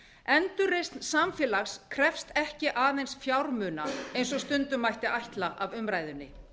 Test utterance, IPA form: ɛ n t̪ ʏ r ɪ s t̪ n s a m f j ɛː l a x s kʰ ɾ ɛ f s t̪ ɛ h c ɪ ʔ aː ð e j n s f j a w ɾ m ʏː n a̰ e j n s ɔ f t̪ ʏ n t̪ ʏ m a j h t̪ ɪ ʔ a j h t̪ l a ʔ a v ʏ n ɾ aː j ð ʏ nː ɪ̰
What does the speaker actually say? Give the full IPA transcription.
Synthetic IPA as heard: ɛ n t̪ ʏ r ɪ s t̪ n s a m f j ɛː l a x s kʰ ɾ ɛ f s t̪ ɛ h c ɪ ʔ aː ð e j n s f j a w ɾ m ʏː n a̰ e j n s ɔ s t̪ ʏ n t̪ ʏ m a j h t̪ ɪ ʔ a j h t̪ l a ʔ a v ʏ m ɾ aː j ð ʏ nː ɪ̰